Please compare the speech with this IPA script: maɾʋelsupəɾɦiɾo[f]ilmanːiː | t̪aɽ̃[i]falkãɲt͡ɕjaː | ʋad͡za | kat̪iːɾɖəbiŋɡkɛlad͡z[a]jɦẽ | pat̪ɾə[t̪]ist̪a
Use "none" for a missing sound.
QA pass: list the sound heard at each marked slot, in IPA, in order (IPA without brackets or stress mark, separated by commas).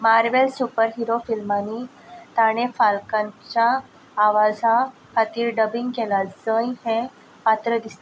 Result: f, e, ə, d̪